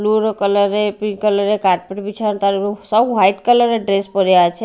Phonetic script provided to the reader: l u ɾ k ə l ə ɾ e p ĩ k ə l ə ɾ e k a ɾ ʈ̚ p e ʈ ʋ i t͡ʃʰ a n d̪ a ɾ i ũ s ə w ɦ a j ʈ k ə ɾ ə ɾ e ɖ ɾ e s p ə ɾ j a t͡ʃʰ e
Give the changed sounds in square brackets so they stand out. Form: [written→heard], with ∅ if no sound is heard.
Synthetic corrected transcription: l u ɾ k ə l ə ɾ e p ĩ k ə l ə ɾ e k a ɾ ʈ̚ p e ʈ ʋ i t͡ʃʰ a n [d̪→t̪] a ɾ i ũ s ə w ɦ a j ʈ k ə [ɾ→l] ə ɾ e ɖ ɾ e s p ə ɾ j a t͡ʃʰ e